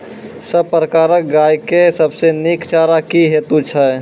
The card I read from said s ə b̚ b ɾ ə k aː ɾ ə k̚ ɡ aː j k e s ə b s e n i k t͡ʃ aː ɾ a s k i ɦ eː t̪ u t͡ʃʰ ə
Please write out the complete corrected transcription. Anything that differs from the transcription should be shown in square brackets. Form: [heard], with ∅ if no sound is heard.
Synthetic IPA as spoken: s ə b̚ [p] ɾ ə k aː ɾ ə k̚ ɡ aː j k e s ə b s e n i k t͡ʃ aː ɾ a [∅] k i ɦ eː t̪ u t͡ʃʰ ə